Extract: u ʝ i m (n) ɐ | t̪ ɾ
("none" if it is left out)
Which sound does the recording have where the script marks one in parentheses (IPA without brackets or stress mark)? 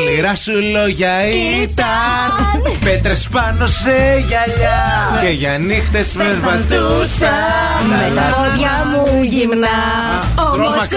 n